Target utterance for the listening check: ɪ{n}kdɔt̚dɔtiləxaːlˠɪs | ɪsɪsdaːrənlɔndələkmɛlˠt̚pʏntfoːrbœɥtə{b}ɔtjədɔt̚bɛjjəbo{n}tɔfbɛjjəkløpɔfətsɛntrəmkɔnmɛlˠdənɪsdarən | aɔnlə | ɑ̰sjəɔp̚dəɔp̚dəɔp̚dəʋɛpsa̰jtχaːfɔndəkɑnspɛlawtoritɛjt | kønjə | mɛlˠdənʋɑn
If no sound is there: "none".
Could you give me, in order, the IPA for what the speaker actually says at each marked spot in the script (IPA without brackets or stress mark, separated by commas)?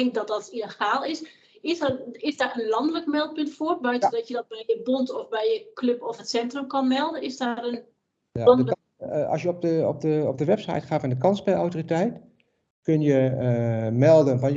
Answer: ŋ, d, n